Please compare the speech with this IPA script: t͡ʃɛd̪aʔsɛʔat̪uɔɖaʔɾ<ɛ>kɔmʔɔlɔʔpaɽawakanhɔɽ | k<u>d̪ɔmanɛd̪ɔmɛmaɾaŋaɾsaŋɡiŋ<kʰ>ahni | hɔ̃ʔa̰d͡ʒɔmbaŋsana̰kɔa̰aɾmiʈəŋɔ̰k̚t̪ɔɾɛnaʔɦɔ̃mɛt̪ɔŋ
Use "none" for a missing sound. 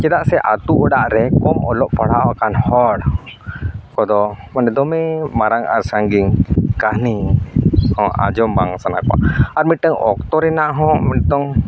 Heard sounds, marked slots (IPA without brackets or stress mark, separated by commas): ɛ, ɔ, k